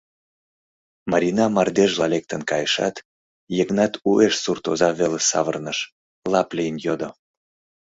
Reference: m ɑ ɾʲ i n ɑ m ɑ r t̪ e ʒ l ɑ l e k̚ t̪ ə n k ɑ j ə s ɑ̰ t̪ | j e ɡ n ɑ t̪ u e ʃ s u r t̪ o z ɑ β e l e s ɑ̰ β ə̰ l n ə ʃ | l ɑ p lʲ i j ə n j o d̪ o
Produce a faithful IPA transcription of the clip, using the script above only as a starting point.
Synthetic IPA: m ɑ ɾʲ i n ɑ m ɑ r d̪ e ʒ l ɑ l e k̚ t̪ ə n k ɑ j ə ʃ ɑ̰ t̪ | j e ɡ n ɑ t̪ u e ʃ s u r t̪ o z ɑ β e l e s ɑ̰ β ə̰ r n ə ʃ | l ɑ p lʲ i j ə n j o d̪ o